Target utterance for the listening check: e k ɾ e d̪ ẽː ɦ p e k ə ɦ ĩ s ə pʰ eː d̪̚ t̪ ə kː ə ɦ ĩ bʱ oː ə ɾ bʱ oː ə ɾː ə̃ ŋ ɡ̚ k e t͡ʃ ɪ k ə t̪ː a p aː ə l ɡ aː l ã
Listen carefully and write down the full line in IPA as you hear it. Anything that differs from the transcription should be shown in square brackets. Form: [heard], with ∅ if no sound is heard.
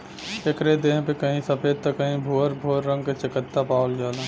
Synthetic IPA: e k ɾ e d̪ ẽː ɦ p e k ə ɦ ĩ s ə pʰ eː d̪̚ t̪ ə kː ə ɦ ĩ bʱ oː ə ɾ bʱ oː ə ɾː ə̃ ŋ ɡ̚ k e t͡ʃ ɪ k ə t̪ː a p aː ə l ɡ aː l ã